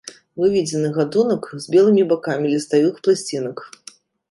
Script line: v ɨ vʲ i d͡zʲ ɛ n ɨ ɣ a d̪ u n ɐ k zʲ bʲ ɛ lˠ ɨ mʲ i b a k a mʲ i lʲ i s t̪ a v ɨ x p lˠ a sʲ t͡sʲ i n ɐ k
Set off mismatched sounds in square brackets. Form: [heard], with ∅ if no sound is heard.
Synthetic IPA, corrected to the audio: v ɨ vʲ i d͡zʲ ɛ n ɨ ɣ a d̪ u n ɐ k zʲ bʲ ɛ lˠ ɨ mʲ i b a k a mʲ i lʲ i s t̪ a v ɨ x p lˠ a sʲ t͡sʲ i n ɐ k